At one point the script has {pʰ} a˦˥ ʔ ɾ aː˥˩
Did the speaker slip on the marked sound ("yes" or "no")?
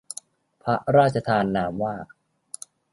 no